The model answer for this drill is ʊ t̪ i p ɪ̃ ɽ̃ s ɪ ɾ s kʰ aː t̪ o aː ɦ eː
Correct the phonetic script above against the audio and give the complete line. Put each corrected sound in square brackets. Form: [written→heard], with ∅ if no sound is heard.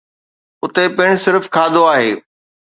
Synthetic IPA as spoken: ʊ t̪ [i→e] p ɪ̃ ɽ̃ s ɪ ɾ [s→f] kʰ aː [t̪→d̪] o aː ɦ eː